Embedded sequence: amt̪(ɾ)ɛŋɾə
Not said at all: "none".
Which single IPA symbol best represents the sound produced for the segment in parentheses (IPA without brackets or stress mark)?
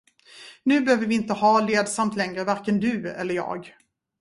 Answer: l